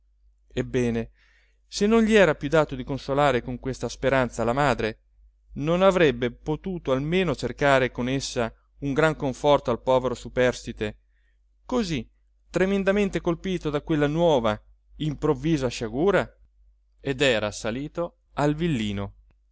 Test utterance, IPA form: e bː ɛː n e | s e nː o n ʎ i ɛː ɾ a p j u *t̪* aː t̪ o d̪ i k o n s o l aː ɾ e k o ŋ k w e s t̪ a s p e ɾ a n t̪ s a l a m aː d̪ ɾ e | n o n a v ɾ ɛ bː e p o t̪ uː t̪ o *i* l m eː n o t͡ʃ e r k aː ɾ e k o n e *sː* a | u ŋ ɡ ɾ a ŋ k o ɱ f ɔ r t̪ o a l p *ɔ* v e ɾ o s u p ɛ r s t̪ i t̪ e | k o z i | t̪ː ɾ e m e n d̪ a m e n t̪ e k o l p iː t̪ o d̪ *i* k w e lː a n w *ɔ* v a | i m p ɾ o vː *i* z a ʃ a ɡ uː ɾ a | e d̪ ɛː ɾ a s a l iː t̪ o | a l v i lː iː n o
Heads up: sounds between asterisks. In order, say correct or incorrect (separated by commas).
incorrect, incorrect, correct, incorrect, incorrect, incorrect, incorrect